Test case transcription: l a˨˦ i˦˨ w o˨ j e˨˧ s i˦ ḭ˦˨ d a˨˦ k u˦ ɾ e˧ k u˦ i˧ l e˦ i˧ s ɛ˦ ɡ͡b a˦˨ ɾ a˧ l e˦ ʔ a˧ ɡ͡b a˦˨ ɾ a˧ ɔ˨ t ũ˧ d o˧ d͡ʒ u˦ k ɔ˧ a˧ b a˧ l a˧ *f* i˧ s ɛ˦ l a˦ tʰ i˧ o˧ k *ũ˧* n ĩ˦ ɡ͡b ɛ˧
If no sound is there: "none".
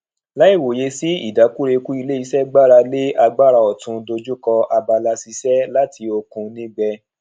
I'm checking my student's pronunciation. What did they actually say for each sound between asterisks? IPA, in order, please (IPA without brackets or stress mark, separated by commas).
s, ũ˧